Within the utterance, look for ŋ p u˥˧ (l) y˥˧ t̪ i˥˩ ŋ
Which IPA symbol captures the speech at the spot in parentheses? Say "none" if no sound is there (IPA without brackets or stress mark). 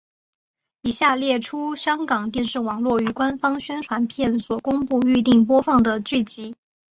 none